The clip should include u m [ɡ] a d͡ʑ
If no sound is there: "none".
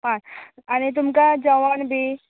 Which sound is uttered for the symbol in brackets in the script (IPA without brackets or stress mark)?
k